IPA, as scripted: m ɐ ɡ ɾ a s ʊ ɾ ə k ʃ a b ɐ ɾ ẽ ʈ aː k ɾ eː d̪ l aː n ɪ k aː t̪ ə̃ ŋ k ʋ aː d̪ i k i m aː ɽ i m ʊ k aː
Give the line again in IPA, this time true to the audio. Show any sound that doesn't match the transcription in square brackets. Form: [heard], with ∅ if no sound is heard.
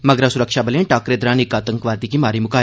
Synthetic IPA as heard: m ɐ ɡ ɾ a s ʊ ɾ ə k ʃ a b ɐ [l] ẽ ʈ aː k ɾ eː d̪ [ɾ] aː n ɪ k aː t̪ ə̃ ŋ k ʋ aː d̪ i k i m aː [ɾ] i m ʊ k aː